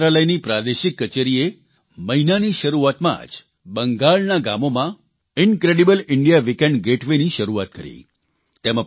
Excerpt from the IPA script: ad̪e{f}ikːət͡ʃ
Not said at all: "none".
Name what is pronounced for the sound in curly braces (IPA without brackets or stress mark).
ʃ